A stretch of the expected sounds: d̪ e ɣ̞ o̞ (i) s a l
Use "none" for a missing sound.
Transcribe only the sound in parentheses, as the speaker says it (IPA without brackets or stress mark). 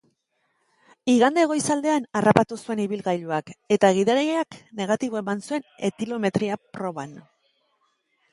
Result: j